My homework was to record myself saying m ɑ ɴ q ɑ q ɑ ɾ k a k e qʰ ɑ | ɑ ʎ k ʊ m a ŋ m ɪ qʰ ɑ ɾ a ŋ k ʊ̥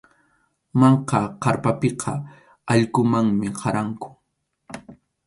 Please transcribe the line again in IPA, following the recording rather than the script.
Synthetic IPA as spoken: m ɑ ɴ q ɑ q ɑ ɾ p a p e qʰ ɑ | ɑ ʎ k ʊ m a ŋ m ɪ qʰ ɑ ɾ a ŋ k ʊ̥